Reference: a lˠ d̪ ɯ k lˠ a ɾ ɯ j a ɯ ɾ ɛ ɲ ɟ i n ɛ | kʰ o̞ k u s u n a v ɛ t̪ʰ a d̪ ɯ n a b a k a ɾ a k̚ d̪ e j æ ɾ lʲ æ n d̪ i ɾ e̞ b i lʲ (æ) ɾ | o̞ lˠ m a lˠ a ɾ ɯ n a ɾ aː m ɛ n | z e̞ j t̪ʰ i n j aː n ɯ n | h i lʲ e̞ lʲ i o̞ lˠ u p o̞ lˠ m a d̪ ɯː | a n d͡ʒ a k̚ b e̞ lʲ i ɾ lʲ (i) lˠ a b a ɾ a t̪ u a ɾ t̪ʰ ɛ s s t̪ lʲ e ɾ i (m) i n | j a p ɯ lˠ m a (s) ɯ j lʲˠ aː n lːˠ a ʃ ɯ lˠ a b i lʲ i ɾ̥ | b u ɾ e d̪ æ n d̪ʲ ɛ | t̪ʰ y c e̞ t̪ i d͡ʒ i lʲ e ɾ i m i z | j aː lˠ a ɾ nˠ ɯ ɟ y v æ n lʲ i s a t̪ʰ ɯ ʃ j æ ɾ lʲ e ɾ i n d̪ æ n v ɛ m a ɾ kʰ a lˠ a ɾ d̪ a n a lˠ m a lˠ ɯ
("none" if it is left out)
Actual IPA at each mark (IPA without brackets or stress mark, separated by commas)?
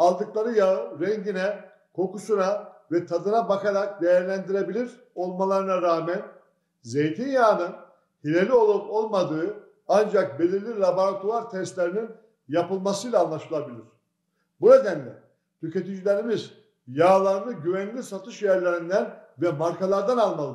i, i, n, s